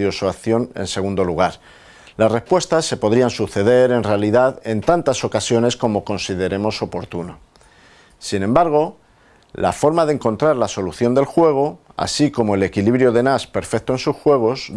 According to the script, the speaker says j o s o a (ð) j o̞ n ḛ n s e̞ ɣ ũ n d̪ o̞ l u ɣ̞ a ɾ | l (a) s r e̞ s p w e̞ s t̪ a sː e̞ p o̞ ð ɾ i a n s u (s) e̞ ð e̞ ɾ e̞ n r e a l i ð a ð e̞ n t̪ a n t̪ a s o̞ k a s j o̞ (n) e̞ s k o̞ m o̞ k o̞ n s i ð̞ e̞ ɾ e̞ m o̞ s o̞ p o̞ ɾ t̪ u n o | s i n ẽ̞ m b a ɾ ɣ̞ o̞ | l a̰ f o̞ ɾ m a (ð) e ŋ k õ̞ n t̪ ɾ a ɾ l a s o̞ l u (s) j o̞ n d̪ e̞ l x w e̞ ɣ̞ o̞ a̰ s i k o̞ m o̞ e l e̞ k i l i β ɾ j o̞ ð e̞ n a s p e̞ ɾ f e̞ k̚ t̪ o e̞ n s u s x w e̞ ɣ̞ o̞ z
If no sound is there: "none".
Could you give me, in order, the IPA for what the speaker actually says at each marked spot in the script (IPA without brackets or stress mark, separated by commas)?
θ, a, θ, n, ð, θ